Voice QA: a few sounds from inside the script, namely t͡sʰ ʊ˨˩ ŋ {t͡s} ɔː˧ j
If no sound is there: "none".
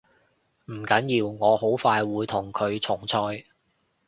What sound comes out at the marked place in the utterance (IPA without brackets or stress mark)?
t͡sʰ